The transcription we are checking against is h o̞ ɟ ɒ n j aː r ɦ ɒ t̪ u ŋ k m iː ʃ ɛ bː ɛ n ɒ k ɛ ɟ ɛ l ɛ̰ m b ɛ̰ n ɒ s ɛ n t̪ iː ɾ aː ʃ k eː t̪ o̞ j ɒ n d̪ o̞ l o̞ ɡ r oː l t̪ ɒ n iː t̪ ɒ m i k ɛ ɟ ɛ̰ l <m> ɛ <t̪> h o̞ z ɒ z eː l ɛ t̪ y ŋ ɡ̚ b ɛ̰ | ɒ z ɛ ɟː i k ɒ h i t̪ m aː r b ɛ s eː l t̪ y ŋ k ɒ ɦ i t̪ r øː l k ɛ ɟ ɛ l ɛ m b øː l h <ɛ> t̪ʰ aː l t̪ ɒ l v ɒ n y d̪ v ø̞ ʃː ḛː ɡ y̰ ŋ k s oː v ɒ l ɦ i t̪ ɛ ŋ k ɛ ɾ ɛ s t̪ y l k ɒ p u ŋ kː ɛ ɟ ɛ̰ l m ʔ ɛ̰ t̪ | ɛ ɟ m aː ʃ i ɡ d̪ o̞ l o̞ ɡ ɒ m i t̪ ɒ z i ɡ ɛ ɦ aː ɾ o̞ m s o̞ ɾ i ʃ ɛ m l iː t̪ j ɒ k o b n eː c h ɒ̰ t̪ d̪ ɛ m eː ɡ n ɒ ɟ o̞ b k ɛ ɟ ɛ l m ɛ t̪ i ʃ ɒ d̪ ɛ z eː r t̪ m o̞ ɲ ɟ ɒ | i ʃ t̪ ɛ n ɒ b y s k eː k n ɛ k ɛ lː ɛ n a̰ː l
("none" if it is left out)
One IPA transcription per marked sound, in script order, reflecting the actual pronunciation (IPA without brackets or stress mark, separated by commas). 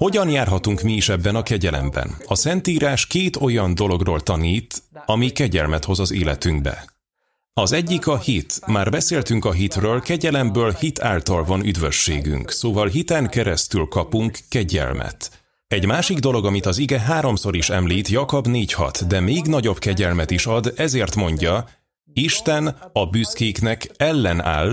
m, t̪, i